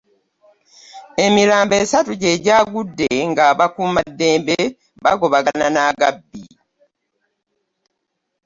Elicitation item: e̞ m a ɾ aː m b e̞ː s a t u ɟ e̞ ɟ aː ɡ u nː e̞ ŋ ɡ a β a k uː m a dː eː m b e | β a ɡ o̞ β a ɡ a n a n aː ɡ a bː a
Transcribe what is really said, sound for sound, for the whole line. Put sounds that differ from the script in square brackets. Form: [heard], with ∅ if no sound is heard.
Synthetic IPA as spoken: e̞ m [i] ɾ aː m b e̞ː s a t u ɟ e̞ ɟ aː ɡ u [dː] e̞ ŋ ɡ a β a k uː m a dː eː m b e | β a ɡ o̞ β a ɡ a n a n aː ɡ a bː [i]